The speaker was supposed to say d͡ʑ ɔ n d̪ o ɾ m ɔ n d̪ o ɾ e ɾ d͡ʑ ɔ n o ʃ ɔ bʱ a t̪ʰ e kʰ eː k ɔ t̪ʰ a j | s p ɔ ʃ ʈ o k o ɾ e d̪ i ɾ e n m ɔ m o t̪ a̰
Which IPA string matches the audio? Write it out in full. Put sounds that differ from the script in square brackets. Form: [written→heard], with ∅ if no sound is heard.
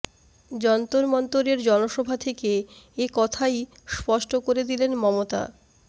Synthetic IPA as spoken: d͡ʑ ɔ n [d̪→t̪] o ɾ m ɔ n [d̪→t̪] o ɾ e ɾ d͡ʑ ɔ n o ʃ ɔ bʱ a t̪ʰ e [kʰ→k] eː k ɔ t̪ʰ a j | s p ɔ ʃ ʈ o k o ɾ e d̪ i [ɾ→l] e n m ɔ m o t̪ a̰